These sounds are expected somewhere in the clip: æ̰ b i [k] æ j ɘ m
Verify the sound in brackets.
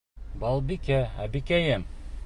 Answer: correct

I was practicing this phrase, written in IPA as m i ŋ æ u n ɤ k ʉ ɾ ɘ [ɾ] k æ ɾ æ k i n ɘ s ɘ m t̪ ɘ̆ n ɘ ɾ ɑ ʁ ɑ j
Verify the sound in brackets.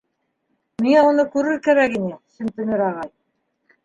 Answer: correct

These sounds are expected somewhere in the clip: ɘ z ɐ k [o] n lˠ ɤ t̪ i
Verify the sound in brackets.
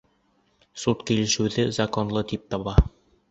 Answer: correct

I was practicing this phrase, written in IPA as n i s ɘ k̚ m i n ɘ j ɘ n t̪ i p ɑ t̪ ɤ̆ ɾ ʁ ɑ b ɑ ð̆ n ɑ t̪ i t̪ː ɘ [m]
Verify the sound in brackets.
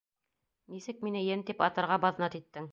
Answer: incorrect: ŋ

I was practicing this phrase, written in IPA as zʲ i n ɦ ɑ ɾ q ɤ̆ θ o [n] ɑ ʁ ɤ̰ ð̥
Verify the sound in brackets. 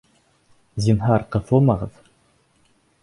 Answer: incorrect: m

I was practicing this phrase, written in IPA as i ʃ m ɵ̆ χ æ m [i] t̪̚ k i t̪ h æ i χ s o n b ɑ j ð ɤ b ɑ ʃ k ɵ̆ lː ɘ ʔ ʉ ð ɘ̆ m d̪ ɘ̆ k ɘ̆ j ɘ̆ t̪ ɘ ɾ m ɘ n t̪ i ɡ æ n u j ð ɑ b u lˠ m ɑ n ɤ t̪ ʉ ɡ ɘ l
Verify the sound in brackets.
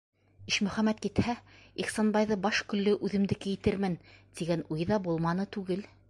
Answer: incorrect: æ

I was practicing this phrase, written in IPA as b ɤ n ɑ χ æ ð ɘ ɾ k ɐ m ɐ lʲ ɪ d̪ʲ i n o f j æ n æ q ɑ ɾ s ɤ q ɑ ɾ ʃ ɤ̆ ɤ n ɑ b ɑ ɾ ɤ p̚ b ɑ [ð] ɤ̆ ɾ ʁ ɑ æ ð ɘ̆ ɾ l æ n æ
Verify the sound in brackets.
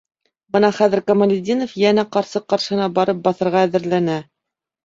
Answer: incorrect: θ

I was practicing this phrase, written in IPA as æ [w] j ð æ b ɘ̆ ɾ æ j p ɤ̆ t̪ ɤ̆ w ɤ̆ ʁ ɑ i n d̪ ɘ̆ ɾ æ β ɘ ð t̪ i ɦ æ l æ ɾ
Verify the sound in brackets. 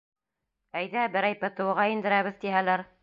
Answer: incorrect: none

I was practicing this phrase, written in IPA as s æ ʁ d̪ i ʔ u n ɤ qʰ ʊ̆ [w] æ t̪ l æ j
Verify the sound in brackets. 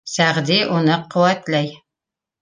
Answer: correct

